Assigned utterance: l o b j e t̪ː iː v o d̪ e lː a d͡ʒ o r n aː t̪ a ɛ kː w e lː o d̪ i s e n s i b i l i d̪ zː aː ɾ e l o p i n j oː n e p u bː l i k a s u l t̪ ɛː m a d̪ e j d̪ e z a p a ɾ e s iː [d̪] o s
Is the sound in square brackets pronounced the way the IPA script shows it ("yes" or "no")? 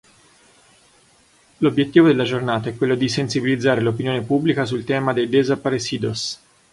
yes